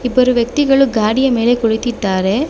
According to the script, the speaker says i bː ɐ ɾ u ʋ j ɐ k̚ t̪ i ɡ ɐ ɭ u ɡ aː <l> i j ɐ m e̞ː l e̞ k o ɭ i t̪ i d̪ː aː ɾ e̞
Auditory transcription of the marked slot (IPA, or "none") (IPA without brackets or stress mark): ɽ